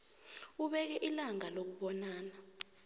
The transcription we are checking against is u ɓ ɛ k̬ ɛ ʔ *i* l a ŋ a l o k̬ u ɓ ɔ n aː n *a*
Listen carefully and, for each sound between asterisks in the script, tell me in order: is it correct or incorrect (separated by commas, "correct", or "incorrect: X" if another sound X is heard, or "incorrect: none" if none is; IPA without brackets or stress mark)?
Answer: correct, correct